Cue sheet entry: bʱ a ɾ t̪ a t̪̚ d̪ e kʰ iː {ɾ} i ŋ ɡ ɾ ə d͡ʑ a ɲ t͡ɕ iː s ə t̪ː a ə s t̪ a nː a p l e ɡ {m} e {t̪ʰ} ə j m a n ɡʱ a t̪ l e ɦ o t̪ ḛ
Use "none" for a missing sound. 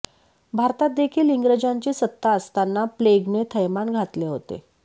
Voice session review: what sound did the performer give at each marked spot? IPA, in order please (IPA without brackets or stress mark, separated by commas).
l, n, t̪ʰ